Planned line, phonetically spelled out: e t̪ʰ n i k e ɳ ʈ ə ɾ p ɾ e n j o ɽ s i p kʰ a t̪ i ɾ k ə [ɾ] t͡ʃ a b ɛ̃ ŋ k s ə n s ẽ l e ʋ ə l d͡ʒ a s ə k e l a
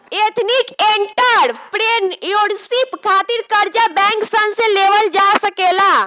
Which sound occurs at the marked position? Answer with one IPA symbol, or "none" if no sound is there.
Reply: ɾ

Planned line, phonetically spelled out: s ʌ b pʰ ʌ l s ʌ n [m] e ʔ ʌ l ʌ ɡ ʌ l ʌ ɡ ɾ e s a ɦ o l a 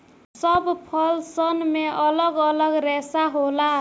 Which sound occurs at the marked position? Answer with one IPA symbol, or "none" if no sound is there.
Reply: m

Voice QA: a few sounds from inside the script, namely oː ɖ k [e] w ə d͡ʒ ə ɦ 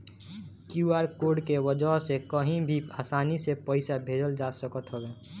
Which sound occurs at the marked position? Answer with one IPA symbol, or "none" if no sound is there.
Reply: e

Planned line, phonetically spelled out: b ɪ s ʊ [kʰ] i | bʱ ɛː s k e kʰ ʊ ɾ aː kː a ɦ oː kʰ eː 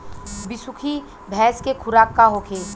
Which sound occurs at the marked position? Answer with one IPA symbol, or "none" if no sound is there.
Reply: kʰ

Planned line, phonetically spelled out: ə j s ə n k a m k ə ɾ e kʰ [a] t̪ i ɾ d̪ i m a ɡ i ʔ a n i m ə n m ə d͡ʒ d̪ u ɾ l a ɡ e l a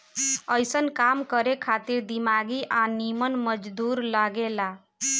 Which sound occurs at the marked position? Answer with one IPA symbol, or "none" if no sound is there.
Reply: a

